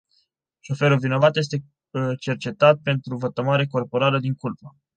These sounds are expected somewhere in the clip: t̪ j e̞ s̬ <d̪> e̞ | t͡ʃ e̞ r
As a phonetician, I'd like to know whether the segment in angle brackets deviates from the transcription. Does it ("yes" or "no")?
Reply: yes